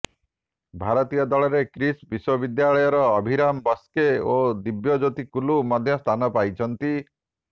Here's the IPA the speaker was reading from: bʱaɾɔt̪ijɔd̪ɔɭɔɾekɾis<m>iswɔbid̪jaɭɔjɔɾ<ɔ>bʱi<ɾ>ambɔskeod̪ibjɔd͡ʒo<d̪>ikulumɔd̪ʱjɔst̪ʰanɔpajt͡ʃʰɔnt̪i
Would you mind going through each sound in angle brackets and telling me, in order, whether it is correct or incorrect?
incorrect: b, incorrect: ɔː, correct, incorrect: t̪

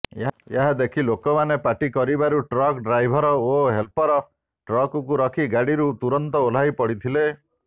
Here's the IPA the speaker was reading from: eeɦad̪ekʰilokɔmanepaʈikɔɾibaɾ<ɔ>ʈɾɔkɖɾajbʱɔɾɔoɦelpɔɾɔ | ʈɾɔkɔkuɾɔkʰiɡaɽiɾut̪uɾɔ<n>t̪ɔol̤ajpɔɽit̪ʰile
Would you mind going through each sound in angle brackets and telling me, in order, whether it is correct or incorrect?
incorrect: u, correct

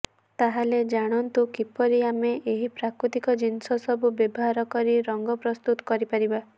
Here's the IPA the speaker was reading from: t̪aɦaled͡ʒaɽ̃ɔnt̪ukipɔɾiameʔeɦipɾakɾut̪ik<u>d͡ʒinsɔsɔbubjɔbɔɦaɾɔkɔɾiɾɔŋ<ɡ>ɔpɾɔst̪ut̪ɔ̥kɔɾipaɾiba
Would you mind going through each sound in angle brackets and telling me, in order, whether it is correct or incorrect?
incorrect: ɔ, correct

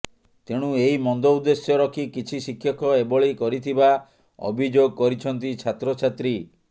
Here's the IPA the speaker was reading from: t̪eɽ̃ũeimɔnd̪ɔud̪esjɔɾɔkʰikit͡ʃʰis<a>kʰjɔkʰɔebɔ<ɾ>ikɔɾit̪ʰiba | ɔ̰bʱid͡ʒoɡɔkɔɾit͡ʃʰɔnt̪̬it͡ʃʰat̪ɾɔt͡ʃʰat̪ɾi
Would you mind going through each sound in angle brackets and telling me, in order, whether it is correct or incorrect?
incorrect: i, incorrect: ɭ

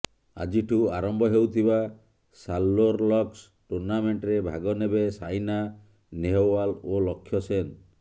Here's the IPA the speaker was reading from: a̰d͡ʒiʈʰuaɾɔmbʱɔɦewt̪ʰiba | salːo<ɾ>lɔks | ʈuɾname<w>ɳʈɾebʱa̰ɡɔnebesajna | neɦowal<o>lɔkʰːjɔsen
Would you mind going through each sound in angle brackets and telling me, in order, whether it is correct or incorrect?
correct, incorrect: none, correct

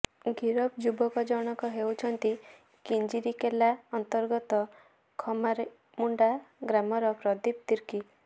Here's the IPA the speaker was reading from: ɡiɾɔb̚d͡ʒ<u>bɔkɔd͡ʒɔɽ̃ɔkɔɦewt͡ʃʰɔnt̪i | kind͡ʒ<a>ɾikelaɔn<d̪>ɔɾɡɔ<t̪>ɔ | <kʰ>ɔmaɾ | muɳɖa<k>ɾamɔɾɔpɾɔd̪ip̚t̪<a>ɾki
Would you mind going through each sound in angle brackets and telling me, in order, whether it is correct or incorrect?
correct, incorrect: i, incorrect: t̪, correct, correct, incorrect: ɡ, incorrect: i

